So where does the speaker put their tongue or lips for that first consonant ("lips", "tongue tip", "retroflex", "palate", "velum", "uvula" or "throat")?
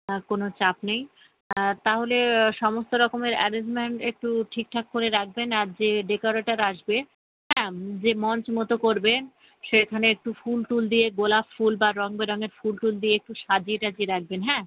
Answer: velum